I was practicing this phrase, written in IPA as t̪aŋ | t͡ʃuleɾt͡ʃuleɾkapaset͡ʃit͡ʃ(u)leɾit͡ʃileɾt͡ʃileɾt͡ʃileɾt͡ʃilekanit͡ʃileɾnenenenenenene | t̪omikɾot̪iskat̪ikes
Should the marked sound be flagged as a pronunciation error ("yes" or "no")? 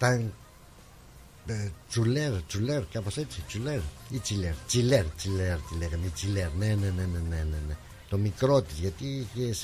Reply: no